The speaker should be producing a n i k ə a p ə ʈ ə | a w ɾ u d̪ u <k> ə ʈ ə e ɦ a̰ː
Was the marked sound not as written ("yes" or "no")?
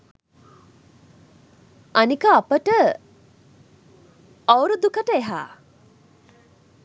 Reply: no